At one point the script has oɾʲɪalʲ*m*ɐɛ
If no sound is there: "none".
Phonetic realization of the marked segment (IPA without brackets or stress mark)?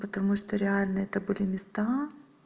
n